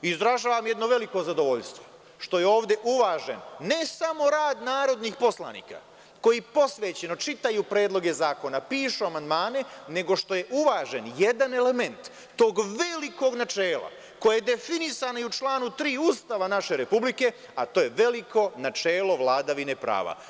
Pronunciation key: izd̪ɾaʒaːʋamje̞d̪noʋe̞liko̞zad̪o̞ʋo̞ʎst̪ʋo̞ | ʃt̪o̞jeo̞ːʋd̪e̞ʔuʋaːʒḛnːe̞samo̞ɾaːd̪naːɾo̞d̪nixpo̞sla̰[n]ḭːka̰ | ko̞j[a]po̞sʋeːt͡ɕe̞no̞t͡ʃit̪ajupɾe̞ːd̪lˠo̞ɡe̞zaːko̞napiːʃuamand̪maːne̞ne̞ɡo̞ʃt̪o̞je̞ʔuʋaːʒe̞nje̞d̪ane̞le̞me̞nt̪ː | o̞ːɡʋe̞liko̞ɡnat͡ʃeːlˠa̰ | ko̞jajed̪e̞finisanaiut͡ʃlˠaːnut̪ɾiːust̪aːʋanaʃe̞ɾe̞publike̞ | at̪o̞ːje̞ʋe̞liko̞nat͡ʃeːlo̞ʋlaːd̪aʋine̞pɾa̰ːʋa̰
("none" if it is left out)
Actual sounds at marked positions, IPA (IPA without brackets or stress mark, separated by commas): n, i